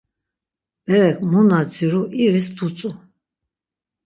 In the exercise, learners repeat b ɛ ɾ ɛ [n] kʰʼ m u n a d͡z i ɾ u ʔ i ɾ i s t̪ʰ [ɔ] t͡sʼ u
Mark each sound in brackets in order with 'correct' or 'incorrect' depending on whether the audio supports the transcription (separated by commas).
incorrect, incorrect